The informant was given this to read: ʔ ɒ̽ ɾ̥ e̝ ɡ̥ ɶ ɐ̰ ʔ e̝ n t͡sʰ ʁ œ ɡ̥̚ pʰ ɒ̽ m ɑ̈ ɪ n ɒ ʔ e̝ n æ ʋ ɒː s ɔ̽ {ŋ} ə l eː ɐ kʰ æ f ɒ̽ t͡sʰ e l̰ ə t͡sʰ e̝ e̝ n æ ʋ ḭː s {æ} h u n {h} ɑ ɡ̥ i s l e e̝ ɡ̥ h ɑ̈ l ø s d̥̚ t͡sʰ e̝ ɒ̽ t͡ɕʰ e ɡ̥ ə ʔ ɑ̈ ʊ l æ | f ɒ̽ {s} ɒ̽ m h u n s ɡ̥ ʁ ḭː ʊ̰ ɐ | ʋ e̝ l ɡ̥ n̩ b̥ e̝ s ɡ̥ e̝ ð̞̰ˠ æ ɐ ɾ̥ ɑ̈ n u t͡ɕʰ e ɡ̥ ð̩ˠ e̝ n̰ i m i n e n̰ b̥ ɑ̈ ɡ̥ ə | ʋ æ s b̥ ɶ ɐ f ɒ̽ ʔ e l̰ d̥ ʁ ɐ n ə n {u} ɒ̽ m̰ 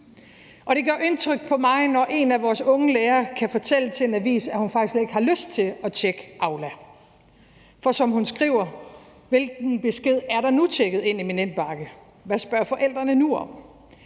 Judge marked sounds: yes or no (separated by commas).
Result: yes, yes, no, yes, yes